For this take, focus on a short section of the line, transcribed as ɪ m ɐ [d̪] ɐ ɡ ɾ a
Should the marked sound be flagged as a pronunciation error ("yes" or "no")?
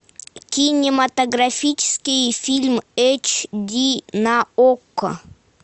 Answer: yes